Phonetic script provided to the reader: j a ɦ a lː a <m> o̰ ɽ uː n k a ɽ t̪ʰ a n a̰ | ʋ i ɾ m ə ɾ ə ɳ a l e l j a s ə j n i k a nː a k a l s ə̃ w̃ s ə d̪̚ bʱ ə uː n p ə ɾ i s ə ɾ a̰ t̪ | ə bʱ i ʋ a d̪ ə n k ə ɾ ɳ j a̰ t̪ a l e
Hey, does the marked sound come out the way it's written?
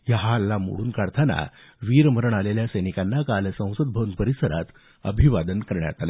yes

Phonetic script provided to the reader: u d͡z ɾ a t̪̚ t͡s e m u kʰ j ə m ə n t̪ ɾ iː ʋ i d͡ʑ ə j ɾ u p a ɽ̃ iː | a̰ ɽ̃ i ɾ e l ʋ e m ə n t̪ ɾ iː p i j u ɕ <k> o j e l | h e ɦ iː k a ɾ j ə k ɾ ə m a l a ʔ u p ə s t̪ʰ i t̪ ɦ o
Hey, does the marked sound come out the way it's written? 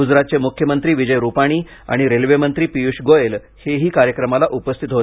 no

